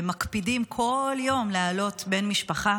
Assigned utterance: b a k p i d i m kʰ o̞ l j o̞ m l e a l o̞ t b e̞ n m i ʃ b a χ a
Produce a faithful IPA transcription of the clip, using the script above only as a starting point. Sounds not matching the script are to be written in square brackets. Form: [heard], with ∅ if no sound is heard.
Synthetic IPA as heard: [m] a k p i d i m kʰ o̞ l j o̞ m l e a l o̞ t b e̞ n m i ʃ [p] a χ a